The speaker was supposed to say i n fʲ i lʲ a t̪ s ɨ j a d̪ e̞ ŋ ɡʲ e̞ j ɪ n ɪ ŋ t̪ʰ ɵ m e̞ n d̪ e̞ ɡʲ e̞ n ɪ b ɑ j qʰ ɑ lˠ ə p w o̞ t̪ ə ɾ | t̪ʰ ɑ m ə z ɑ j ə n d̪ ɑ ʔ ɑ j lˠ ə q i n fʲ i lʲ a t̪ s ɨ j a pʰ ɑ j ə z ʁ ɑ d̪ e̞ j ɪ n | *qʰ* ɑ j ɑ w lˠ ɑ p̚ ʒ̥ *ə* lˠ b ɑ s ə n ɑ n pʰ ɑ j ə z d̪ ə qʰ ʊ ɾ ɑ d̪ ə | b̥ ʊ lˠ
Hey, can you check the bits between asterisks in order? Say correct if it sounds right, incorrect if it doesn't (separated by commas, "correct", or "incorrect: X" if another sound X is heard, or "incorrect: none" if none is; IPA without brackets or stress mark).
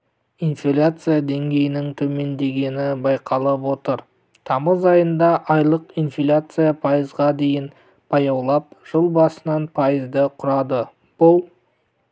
incorrect: pʰ, correct